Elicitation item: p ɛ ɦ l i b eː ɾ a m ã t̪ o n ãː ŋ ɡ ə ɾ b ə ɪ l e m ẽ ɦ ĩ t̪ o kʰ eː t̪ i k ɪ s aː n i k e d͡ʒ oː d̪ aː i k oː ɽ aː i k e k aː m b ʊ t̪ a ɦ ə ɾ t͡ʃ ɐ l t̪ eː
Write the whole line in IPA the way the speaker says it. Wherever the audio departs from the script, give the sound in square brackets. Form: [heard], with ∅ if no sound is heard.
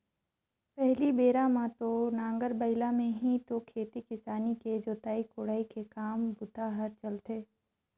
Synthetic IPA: p ɛ ɦ l i b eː ɾ a m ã t̪ o n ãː ŋ ɡ ə ɾ b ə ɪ l [a] m ẽ ɦ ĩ t̪ o kʰ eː t̪ i k ɪ s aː n i k e d͡ʒ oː [t̪] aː i k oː ɽ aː i k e k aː m b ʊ t̪ a ɦ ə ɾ t͡ʃ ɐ l t̪ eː